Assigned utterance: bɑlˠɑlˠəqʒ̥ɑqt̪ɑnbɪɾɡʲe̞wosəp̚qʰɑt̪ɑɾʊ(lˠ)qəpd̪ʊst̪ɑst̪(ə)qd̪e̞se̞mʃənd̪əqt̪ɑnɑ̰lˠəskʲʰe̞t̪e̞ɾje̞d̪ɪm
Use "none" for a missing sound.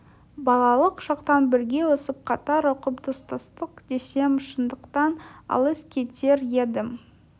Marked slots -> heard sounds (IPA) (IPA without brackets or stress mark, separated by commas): none, ə